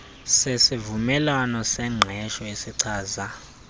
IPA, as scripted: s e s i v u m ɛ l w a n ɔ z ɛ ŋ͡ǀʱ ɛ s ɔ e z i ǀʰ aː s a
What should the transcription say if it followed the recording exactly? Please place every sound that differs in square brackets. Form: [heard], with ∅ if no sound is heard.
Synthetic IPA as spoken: s e s i v u m ɛ l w a n ɔ [s] ɛ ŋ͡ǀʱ ɛ [ʃ] ɔ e [s] i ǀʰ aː [z] a